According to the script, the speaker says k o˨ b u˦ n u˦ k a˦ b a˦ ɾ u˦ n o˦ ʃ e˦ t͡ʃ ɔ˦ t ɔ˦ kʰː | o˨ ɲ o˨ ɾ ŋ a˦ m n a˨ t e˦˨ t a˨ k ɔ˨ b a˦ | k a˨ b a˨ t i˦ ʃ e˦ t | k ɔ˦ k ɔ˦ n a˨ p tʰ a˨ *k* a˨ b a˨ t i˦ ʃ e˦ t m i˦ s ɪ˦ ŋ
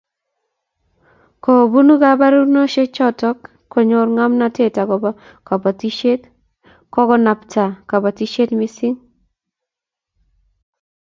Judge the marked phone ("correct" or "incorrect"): correct